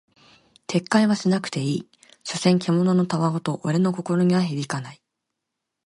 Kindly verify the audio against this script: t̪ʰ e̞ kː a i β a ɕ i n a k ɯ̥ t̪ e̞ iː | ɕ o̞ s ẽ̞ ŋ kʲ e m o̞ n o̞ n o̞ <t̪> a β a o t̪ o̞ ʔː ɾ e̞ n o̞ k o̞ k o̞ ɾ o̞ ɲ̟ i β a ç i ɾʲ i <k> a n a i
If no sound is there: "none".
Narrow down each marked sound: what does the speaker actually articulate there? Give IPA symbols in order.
t̪, k

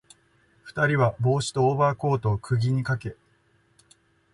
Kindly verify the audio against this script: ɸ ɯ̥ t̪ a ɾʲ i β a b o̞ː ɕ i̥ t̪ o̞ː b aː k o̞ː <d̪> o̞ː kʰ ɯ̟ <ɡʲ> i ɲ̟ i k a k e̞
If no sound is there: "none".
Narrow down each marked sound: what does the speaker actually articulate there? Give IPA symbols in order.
t̪, ɡʲ

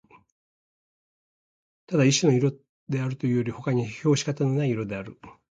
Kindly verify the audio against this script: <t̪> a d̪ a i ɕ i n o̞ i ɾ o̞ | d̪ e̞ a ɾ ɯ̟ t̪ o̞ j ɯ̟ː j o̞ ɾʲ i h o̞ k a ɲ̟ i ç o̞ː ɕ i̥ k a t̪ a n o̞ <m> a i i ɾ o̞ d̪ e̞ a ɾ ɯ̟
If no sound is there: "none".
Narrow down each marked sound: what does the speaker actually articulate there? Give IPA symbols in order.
t̪, n

